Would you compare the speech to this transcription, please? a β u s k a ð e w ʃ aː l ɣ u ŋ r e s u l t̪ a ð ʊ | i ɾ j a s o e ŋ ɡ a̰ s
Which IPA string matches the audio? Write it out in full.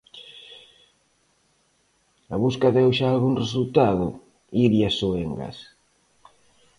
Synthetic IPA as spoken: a β u s k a ð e w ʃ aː l ɣ u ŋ r e s u l t̪ a ð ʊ | i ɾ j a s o e ŋ ɡ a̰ s